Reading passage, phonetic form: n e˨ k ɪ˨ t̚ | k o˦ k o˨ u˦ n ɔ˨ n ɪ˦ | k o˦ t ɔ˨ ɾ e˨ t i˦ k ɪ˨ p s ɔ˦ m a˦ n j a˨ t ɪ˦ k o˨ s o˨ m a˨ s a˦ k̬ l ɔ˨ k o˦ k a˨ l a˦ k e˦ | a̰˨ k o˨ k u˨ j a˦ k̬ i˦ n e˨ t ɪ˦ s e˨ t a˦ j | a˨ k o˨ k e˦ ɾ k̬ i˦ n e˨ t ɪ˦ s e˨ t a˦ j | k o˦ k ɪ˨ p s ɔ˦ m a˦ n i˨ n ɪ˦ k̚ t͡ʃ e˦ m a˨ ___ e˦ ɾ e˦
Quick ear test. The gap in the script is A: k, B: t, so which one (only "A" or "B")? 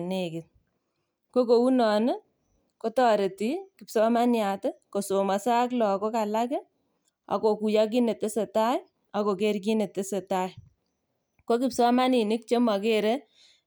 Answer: A